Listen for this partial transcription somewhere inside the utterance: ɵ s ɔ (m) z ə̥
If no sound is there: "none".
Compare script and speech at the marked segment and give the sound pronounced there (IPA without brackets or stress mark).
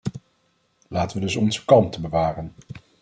n